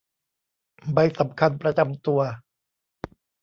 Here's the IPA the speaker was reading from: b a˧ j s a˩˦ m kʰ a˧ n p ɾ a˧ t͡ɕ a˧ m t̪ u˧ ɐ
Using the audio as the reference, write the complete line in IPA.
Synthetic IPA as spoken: b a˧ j s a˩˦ m kʰ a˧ n p ɾ a˧ t͡ɕ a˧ m t̪ u˧ ɐ